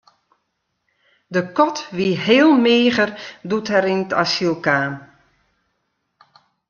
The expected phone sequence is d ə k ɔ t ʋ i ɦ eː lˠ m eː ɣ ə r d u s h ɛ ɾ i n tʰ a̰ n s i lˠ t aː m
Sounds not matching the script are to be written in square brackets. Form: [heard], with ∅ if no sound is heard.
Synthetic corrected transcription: d ə k ɔ t ʋ i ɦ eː lˠ m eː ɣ ə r d u [t] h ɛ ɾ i n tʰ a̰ [∅] s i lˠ [k] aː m